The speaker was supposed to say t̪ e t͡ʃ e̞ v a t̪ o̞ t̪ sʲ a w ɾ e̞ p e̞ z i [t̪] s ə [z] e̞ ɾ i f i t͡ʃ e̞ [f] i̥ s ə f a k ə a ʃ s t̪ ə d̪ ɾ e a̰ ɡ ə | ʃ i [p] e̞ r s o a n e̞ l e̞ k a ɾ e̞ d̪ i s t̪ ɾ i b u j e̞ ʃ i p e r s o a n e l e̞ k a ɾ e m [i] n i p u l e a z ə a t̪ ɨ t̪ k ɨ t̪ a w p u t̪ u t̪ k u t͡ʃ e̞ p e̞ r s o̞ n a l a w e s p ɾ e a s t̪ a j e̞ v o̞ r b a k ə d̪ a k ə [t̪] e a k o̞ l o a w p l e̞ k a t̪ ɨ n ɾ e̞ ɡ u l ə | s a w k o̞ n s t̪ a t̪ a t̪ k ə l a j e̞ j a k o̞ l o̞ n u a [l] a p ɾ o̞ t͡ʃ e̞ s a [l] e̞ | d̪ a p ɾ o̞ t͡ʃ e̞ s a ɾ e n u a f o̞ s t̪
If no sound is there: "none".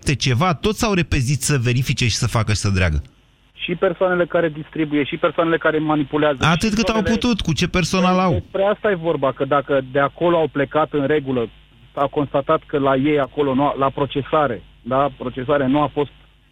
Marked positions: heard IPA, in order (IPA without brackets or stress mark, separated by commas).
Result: t̪, v, ʃ, p, a, d̪, l, ɾ